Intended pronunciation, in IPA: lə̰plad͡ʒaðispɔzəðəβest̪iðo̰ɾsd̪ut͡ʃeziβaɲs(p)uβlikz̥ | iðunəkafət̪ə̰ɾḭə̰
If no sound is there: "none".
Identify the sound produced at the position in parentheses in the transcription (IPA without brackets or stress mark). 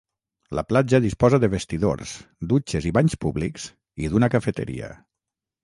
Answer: p